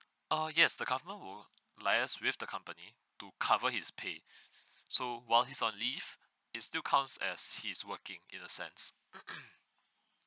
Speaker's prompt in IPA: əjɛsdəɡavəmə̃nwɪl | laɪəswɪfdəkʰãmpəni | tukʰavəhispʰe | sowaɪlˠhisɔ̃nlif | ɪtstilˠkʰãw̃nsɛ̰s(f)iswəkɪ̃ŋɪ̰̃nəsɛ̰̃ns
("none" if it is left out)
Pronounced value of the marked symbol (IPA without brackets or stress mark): h